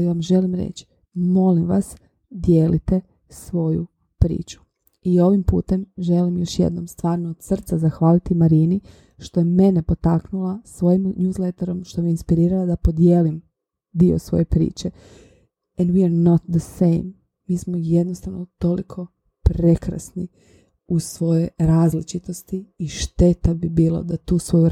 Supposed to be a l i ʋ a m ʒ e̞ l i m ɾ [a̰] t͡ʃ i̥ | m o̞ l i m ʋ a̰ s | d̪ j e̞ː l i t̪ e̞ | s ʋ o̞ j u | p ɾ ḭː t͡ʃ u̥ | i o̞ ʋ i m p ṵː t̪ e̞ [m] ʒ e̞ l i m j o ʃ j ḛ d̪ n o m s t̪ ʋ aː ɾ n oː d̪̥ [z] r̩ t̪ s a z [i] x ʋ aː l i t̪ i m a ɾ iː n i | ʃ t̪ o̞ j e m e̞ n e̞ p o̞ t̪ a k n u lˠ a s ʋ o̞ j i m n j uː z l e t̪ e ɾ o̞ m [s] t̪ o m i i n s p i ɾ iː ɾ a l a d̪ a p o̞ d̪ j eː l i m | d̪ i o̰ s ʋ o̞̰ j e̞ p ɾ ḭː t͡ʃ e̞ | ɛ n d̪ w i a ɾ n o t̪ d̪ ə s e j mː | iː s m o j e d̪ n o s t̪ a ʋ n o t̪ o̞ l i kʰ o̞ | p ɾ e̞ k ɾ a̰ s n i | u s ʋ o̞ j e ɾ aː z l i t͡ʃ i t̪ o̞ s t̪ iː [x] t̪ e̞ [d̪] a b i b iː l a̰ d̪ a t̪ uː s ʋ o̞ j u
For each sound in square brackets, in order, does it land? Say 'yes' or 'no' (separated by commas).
no, yes, no, no, no, no, no